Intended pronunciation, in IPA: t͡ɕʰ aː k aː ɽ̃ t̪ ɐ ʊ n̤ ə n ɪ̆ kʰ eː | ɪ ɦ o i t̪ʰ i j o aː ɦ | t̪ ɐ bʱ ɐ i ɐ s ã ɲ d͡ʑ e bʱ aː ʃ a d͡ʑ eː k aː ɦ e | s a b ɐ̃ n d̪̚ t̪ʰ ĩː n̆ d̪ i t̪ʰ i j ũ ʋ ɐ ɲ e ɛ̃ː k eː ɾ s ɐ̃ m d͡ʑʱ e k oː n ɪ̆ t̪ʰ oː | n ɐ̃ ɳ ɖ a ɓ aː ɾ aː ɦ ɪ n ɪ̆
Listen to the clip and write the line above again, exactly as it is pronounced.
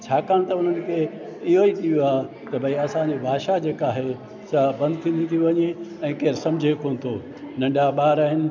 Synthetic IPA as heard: t͡ɕʰ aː k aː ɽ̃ t̪ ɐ ʊ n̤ ə n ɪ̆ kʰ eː | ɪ ɦ o i t̪ʰ i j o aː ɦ | t̪ ɐ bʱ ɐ i ɐ s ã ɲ d͡ʑ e bʱ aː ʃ a d͡ʑ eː k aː ɦ e | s a b ɐ̃ n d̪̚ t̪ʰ ĩː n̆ d̪ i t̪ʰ i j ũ ʋ ɐ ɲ e ɛ̃ː k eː ɾ s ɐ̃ m d͡ʑʱ e k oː n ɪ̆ t̪ʰ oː | n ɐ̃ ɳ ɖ a ɓ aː ɾ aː ɦ ɪ n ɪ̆